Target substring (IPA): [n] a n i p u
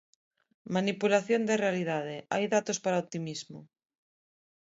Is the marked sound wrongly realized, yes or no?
yes